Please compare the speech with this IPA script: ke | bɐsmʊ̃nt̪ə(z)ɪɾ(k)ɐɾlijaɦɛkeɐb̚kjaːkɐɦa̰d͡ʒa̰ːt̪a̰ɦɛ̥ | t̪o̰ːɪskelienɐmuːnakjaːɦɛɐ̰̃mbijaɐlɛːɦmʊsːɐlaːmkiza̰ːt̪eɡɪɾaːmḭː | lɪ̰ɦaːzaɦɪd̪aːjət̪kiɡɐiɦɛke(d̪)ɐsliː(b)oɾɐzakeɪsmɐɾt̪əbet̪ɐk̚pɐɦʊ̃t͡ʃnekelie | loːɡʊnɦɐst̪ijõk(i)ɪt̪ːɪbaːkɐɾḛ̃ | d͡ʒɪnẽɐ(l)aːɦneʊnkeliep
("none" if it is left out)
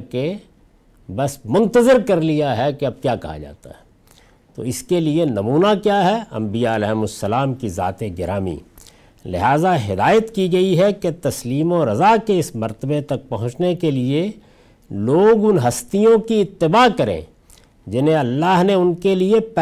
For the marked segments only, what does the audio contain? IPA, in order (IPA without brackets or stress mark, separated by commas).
z, k, t̪, m, i, lː